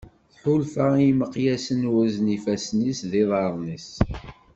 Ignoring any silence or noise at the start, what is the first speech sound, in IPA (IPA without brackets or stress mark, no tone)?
θ